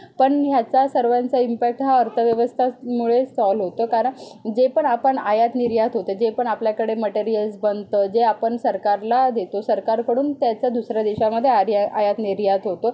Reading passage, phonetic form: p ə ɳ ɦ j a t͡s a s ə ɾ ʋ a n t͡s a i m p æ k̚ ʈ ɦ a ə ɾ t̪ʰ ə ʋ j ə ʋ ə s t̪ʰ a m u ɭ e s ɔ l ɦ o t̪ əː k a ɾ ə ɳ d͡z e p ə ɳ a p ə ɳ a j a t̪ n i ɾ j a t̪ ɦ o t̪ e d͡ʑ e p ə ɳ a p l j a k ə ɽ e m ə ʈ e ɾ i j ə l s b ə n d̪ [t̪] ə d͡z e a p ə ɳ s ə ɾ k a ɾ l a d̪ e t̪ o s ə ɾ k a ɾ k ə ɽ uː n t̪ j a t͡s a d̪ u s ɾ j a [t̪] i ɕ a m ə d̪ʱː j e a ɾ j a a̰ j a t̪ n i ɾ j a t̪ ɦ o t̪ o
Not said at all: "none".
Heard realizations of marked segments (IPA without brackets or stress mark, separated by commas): t̪, d̪